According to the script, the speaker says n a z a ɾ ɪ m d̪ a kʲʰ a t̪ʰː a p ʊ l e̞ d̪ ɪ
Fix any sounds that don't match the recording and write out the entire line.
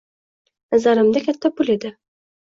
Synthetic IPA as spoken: n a z a ɾ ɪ m d̪ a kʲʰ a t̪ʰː a p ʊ l e̞ d̪ ɪ